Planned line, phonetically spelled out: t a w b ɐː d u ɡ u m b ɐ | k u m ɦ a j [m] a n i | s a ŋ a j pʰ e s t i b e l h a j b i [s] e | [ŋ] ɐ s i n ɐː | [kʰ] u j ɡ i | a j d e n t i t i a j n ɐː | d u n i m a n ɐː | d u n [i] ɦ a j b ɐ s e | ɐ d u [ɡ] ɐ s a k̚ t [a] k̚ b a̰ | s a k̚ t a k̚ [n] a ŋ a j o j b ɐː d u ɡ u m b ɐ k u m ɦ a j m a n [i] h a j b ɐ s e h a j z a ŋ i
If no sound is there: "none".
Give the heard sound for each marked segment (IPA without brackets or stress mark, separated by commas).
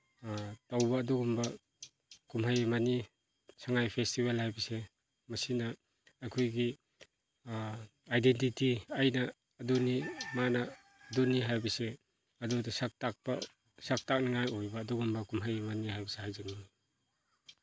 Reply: m, s, m, kʰ, i, d, a, n, i